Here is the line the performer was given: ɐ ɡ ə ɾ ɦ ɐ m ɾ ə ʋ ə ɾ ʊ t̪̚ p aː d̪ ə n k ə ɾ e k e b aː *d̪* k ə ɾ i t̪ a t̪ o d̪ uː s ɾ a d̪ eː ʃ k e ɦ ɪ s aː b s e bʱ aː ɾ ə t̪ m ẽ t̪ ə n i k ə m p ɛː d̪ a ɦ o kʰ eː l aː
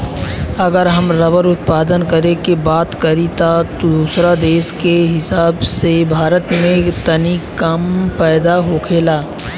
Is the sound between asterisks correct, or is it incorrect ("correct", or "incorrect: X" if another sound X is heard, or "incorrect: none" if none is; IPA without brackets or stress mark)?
incorrect: t̪